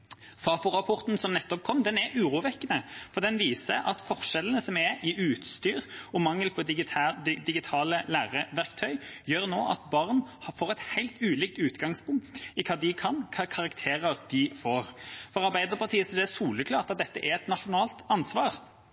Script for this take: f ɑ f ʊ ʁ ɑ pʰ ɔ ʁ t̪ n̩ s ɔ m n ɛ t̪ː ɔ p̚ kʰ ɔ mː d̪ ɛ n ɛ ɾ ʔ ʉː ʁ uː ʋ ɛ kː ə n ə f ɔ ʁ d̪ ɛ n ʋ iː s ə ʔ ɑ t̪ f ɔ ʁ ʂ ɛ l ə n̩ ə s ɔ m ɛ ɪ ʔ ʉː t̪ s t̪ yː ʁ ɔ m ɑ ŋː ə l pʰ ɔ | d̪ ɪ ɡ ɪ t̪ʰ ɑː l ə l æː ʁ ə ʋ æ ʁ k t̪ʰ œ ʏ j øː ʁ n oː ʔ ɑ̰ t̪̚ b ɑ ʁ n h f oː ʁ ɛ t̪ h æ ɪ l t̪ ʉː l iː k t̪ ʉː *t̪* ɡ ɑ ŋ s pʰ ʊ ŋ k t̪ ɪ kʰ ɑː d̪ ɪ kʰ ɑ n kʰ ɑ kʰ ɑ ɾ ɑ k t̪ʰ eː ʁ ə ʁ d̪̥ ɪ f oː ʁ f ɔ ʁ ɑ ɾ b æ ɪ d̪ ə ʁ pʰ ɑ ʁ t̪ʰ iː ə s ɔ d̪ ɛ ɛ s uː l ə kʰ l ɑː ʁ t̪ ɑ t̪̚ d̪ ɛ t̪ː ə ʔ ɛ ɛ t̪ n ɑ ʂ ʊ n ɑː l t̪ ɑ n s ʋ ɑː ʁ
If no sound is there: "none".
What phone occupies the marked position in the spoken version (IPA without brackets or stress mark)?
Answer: t̪